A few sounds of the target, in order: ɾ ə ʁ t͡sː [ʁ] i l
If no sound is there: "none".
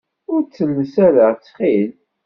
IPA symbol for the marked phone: χ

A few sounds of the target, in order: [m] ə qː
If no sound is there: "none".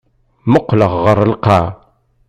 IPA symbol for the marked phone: m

